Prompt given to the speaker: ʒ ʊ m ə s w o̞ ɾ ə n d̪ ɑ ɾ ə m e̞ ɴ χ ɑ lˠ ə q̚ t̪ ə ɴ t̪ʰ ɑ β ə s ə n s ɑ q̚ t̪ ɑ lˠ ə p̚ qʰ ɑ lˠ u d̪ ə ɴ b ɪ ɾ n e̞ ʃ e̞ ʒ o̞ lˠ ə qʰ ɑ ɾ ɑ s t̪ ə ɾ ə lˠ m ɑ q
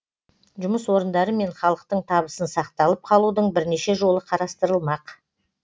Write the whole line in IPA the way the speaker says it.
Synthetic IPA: ʒ ʊ m ə s w o̞ ɾ ə n d̪ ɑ ɾ ə m e̞ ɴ χ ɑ lˠ ə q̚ t̪ ə ɴ t̪ʰ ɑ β ə s ə n s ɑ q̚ t̪ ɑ lˠ ə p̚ qʰ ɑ lˠ u d̪ ə ɴ b ɪ ɾ n e̞ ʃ e̞ ʒ o̞ lˠ ə qʰ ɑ ɾ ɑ s t̪ ə ɾ ə lˠ m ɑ q